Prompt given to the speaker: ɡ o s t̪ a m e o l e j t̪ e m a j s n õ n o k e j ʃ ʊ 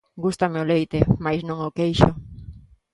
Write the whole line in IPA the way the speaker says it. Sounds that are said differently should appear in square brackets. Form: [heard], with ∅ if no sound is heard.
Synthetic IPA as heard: ɡ [u] s t̪ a m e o l e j t̪ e m a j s n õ [ŋ] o k e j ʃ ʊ

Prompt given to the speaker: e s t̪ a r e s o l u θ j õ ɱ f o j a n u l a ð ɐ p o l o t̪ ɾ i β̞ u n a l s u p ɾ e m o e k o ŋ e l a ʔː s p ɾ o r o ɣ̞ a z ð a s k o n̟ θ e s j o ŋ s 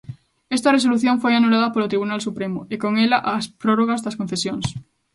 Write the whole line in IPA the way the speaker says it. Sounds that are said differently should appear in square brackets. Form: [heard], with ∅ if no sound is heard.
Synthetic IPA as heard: e s t̪ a r e s o l u θ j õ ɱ f o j a n u l a ð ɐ p o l o t̪ ɾ i β̞ u n a l s u p ɾ e m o e k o ŋ e l a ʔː s p ɾ o r o ɣ̞ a z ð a s k o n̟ θ e s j o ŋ s

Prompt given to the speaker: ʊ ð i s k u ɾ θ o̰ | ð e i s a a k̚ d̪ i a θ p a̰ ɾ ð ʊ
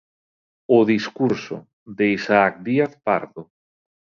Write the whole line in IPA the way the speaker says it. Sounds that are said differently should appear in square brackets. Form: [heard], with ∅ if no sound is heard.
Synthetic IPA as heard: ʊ ð i s k u ɾ [s] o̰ | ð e i s a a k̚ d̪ i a θ p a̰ ɾ ð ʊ

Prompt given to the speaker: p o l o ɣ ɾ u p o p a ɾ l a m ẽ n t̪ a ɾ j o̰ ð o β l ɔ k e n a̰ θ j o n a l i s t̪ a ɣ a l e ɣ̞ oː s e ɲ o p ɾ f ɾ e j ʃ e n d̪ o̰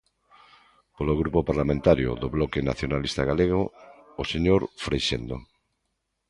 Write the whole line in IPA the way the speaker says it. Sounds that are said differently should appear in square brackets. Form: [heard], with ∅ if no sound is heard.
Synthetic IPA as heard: p o l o ɣ ɾ u p o p a ɾ l a m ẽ n t̪ a ɾ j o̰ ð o β l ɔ k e n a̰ θ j o n a l i s t̪ a ɣ a l e ɣ̞ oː s e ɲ o [∅] ɾ f ɾ e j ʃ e n d̪ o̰

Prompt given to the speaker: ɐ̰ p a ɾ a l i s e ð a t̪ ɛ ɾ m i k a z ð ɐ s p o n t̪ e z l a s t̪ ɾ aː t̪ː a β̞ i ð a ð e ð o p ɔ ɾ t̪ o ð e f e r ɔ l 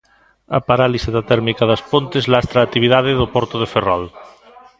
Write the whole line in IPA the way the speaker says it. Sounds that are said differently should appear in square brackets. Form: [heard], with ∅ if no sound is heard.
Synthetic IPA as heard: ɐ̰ p a ɾ a l i s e ð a t̪ ɛ ɾ m i k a [∅] ð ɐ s p o n t̪ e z l a s t̪ ɾ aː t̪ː [i] β̞ i ð a ð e ð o p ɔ ɾ t̪ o ð e f e r ɔ l

